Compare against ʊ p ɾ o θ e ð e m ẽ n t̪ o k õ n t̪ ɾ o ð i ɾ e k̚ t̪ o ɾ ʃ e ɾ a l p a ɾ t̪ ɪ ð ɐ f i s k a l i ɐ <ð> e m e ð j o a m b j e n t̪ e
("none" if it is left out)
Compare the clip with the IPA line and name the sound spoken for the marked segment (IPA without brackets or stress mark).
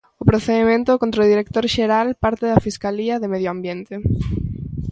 ð